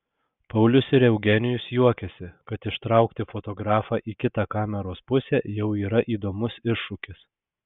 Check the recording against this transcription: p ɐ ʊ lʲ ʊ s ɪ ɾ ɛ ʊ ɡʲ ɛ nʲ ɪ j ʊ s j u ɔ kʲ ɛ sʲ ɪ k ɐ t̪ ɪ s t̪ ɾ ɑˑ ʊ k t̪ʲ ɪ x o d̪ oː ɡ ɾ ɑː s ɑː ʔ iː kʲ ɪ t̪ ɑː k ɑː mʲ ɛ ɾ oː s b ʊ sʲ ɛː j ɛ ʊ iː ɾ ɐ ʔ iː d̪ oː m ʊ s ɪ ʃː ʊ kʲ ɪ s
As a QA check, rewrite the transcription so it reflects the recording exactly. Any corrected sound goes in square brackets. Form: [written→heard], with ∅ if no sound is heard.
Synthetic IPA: p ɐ ʊ lʲ ʊ s ɪ ɾ ɛ ʊ ɡʲ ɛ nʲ ɪ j ʊ s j u ɔ kʲ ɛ sʲ ɪ k ɐ t̪ ɪ [s→ʃ] t̪ ɾ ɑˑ ʊ k t̪ʲ ɪ [x→f] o [d̪→t̪] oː ɡ ɾ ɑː [s→f] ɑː ʔ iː kʲ ɪ t̪ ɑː k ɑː mʲ ɛ ɾ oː s [b→p] ʊ sʲ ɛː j ɛ ʊ iː ɾ ɐ ʔ iː d̪ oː m ʊ s ɪ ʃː ʊ kʲ ɪ s

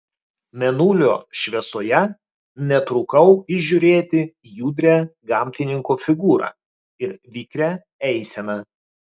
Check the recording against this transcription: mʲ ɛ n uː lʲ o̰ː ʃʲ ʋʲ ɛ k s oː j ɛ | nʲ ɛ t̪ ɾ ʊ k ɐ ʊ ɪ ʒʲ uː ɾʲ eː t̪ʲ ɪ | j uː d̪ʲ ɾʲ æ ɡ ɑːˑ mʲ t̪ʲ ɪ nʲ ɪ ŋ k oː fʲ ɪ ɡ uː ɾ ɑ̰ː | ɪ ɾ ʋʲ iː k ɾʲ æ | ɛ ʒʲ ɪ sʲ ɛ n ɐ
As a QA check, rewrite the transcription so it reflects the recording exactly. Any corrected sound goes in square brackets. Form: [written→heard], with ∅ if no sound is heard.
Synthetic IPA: mʲ ɛ n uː lʲ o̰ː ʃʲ ʋʲ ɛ [k→∅] s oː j ɛ | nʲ ɛ t̪ ɾ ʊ k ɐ ʊ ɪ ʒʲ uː ɾʲ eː t̪ʲ ɪ | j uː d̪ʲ ɾʲ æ ɡ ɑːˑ mʲ t̪ʲ ɪ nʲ ɪ ŋ k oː fʲ ɪ ɡ uː ɾ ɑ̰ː | ɪ ɾ ʋʲ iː k ɾʲ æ | ɛ [ʒʲ→∅] ɪ sʲ ɛ n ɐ

